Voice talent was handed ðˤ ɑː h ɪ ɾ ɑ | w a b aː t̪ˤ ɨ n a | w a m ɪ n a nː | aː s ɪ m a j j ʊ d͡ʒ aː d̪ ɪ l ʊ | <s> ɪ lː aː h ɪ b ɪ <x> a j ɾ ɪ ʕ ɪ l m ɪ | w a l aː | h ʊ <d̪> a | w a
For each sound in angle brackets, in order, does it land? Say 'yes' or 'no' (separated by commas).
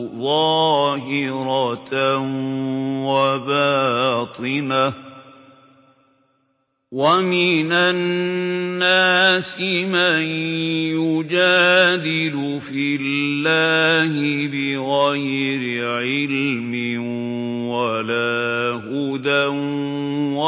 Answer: no, no, yes